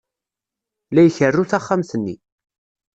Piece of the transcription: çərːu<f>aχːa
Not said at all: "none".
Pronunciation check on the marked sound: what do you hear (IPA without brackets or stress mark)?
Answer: θ